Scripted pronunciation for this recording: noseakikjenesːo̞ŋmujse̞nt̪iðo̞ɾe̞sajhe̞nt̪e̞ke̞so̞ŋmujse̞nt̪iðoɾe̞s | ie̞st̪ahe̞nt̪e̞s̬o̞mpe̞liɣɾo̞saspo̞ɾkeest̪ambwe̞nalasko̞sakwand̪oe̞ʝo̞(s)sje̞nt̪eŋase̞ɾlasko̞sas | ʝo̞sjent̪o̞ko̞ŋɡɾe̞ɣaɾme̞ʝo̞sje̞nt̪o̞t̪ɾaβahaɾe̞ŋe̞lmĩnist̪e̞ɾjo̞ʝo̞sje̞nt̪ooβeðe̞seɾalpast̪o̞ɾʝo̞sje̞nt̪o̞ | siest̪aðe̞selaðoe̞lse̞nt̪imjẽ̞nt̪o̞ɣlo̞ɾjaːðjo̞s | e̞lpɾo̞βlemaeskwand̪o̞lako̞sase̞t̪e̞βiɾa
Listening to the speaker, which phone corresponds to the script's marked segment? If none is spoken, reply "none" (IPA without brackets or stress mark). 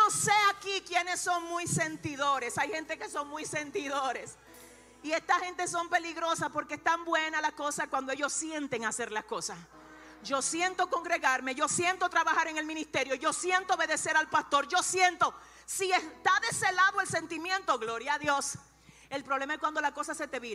s